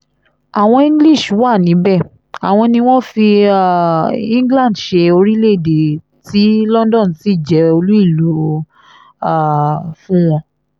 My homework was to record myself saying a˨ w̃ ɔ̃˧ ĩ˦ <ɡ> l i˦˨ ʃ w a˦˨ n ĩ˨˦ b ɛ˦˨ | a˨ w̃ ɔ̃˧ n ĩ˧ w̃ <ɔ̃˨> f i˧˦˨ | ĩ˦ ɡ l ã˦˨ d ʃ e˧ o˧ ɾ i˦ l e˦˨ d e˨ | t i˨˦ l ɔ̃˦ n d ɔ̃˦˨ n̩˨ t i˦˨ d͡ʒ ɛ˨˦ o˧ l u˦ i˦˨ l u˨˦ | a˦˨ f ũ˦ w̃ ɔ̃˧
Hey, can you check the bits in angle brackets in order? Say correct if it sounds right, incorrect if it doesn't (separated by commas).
correct, incorrect